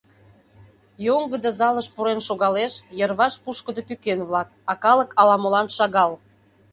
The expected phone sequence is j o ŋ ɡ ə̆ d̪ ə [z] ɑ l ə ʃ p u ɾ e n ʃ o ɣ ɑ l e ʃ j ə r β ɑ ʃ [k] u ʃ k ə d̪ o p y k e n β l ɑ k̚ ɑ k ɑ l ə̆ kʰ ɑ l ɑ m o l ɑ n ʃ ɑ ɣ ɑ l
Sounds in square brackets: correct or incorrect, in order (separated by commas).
correct, incorrect